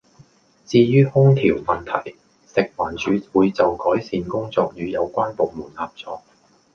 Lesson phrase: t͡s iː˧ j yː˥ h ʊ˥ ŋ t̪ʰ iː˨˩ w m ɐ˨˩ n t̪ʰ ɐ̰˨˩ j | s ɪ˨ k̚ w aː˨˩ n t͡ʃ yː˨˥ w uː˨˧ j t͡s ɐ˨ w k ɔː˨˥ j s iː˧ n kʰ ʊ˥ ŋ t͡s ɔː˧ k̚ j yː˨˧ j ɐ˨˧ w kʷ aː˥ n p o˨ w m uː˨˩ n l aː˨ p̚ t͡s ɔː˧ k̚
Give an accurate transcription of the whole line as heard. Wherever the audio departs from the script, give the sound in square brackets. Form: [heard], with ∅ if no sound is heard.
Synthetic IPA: t͡s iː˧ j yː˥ h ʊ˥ ŋ t̪ʰ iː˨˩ w m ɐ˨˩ n t̪ʰ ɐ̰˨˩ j | s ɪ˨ k̚ w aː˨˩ n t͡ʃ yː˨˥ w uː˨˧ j t͡s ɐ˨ w k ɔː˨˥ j s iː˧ n [k] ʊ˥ ŋ t͡s ɔː˧ k̚ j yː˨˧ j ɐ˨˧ w kʷ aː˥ n p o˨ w m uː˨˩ n l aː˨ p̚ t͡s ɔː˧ k̚